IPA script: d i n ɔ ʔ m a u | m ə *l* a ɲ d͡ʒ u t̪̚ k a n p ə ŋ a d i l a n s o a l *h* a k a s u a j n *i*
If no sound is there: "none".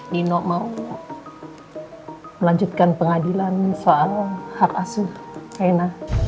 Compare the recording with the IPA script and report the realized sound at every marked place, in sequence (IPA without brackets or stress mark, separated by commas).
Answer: l, h, a